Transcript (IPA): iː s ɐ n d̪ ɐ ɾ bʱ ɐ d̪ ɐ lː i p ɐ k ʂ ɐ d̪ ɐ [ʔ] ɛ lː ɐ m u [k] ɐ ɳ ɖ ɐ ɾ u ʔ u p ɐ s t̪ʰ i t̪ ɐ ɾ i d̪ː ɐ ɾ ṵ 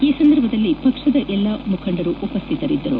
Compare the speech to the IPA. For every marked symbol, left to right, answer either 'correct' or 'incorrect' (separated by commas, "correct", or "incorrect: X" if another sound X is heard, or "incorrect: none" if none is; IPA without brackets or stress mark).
correct, incorrect: kʰ